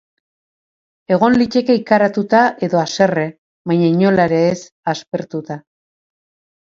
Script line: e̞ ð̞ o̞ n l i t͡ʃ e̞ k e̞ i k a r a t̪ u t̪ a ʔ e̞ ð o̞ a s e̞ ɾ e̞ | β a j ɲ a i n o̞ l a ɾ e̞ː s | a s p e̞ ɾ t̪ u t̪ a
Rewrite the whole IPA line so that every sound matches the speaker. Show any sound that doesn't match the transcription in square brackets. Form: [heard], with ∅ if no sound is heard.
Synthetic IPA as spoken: e̞ [ɣ̞] o̞ n l i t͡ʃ e̞ k e̞ i k a [ɾ] a t̪ u t̪ a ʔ e̞ ð o̞ a s e̞ [r] e̞ | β a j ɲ a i [ɲ] o̞ l a ɾ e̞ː s | a s p e̞ ɾ t̪ u t̪ a

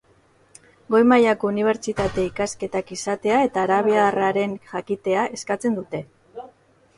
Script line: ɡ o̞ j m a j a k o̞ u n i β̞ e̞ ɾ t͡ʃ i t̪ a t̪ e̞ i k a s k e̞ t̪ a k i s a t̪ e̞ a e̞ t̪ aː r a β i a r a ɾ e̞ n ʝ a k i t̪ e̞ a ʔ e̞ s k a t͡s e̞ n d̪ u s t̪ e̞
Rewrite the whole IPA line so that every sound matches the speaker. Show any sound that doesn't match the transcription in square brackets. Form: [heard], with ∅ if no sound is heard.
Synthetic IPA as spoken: ɡ o̞ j m a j a k o̞ u n i β̞ e̞ ɾ t͡ʃ i t̪ a t̪ e̞ i k a s k e̞ t̪ a k i s a t̪ e̞ a e̞ t̪ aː [ɾ] a β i a r a ɾ e̞ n ʝ a k i t̪ e̞ a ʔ e̞ s k a t͡s e̞ n d̪ u [∅] t̪ e̞

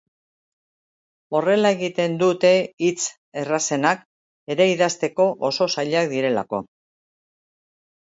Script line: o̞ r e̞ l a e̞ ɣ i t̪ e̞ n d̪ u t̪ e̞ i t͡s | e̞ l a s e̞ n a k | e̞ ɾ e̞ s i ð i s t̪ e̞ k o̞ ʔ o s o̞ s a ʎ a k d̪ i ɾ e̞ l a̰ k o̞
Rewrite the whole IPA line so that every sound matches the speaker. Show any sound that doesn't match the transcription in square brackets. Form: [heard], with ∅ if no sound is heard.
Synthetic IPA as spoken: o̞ r e̞ l a e̞ ɣ i t̪ e̞ n d̪ u t̪ e̞ i t͡s | e̞ [r] a s e̞ n a k | e̞ ɾ e̞ [∅] i ð [a] s t̪ e̞ k o̞ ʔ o s o̞ s a ʎ a k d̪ i ɾ e̞ l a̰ k o̞

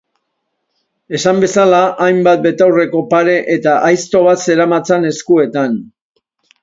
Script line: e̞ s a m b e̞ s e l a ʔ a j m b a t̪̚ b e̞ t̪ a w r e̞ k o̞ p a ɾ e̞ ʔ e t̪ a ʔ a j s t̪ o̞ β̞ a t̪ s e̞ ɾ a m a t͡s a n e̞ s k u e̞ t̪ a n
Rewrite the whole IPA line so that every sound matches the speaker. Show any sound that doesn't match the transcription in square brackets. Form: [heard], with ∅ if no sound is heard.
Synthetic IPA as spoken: e̞ s a m b e̞ s [a] l a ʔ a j m b a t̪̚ b e̞ t̪ a w r e̞ k o̞ p a ɾ e̞ ʔ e t̪ a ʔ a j s t̪ o̞ β̞ a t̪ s e̞ ɾ a m a t͡s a n e̞ s k u e̞ t̪ a n

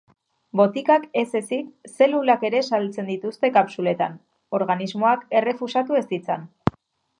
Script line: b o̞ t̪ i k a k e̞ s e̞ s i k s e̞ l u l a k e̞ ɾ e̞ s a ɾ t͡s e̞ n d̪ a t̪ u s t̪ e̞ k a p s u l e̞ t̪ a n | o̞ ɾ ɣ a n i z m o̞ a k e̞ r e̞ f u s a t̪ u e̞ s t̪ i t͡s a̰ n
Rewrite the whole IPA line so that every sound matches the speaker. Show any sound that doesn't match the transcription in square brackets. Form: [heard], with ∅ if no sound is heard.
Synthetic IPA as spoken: b o̞ t̪ i k a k e̞ s e̞ s i k s e̞ l u l a k e̞ ɾ e̞ s a [l] t͡s e̞ n d̪ [i] t̪ u s t̪ e̞ k a p s u l e̞ t̪ a n | o̞ ɾ ɣ a n i z m o̞ a k e̞ r e̞ f u s a t̪ u e̞ s t̪ i t͡s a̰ n

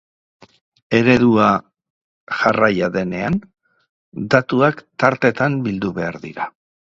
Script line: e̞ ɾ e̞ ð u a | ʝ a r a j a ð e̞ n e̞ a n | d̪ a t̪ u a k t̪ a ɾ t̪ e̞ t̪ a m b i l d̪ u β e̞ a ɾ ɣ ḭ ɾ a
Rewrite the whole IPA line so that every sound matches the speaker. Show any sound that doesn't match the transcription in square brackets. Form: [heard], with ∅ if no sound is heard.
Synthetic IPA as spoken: e̞ ɾ e̞ ð u a | ʝ a r a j a ð e̞ n e̞ a n | d̪ a t̪ u a k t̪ a ɾ t̪ e̞ t̪ a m b i l d̪ u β e̞ a ɾ [ð] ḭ ɾ a

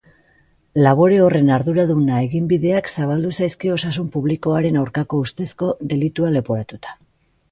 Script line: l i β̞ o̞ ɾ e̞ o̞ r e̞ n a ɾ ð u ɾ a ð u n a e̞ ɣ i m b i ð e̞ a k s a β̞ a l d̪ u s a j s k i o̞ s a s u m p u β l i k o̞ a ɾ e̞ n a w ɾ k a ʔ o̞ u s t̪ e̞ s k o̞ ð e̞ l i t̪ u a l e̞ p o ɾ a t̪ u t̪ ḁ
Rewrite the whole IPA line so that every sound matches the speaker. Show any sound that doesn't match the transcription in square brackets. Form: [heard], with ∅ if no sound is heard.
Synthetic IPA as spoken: l [a] β̞ o̞ ɾ e̞ o̞ r e̞ n a ɾ ð u ɾ a ð u n a e̞ ɣ i m b i ð e̞ a k s a β̞ a l d̪ u s a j s k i o̞ s a s u m p u β l i k o̞ a ɾ e̞ n a w ɾ k a [k] o̞ u s t̪ e̞ s k o̞ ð e̞ l i t̪ u a l e̞ p o ɾ a t̪ u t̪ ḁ

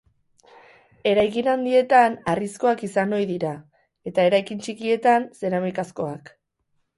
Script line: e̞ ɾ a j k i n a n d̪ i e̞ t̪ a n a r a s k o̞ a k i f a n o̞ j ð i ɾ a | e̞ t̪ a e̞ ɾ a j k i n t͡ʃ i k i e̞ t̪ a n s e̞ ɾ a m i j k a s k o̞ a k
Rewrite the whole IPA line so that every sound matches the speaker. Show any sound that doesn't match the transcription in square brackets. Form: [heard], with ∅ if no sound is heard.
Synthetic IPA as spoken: e̞ ɾ a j k i n a n d̪ i e̞ t̪ a n a r [i] s k o̞ a k i [s] a n o̞ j ð i ɾ a | e̞ t̪ a e̞ ɾ a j k i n t͡ʃ i k i e̞ t̪ a n s e̞ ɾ a m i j k a s k o̞ a k

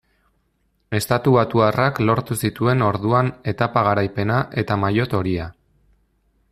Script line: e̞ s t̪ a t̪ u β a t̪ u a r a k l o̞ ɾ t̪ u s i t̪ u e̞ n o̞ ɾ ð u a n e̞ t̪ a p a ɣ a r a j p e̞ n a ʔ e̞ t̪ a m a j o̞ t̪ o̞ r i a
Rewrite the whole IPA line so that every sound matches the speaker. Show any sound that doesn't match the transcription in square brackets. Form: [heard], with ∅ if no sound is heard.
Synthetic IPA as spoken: e̞ s t̪ a t̪ u β a t̪ u a r a k l o̞ ɾ t̪ u s i t̪ u e̞ n o̞ ɾ ð u a n e̞ t̪ a p a ɣ a [ɾ] a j p e̞ n a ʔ e̞ t̪ a m a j o̞ t̪ o̞ [ɾ] i a

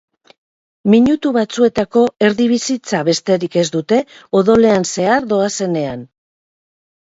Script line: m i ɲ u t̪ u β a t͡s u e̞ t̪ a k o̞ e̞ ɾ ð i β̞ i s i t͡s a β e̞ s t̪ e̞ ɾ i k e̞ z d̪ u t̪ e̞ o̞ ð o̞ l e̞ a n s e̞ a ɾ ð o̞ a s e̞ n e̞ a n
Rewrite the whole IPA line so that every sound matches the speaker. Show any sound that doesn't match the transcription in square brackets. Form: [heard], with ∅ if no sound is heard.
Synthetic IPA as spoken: m i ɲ u t̪ u β a t͡s u e̞ t̪ a k o̞ e̞ ɾ ð i β̞ i s i t͡s a β e̞ s t̪ e̞ ɾ i k e̞ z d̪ u t̪ e̞ o̞ ð o̞ l e̞ a n s e̞ a ɾ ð o̞ a s e̞ n e̞ a n

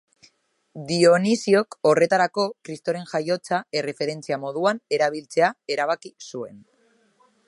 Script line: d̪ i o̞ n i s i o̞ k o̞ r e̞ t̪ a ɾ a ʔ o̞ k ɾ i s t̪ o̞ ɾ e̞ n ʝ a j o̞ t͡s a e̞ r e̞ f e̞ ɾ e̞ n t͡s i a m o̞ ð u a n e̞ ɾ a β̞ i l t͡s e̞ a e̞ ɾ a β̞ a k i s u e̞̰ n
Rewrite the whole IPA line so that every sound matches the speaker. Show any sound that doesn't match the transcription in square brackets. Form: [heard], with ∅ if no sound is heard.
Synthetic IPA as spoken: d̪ i o̞ n i s i o̞ k o̞ r e̞ t̪ a ɾ a [k] o̞ k ɾ i s t̪ o̞ ɾ e̞ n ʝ a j o̞ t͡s a e̞ r e̞ f e̞ ɾ e̞ n t͡s i a m o̞ ð u a n e̞ ɾ a β̞ i l t͡s e̞ a e̞ ɾ a β̞ a k i s u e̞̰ n

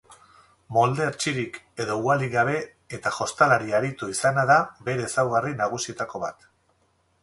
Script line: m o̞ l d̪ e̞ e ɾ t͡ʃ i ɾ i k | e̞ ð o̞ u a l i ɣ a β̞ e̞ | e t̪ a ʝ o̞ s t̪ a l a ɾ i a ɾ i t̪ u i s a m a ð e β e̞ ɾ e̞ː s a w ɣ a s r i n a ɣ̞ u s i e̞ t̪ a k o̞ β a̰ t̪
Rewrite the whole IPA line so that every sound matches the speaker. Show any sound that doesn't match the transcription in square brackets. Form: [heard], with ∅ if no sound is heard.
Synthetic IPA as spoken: m o̞ l d̪ e̞ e ɾ t͡ʃ i ɾ i k | e̞ ð o̞ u a l i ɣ a β̞ e̞ | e t̪ a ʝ o̞ s t̪ a l a ɾ i a ɾ i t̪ u i s a [n] a ð [a] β e̞ ɾ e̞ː s a w ɣ a [∅] r i n a ɣ̞ u s i e̞ t̪ a k o̞ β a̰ t̪

